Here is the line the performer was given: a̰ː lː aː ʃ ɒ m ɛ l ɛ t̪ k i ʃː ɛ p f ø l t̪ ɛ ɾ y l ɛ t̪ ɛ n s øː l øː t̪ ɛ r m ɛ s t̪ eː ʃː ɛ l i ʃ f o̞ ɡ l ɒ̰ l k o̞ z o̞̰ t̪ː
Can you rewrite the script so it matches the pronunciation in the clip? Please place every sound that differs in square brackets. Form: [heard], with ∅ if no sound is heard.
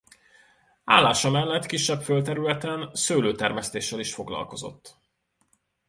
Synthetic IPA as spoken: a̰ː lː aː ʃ ɒ m ɛ [lː] ɛ t̪ k i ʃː ɛ p f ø l t̪ ɛ ɾ y l ɛ t̪ ɛ n s øː l øː t̪ ɛ r m ɛ s t̪ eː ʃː ɛ l i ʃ f o̞ ɡ l ɒ̰ l k o̞ z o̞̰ t̪ː